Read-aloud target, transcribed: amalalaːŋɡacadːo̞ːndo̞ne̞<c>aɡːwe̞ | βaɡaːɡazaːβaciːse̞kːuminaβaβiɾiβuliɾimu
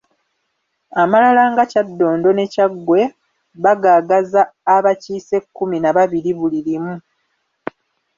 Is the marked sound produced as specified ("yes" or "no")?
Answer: yes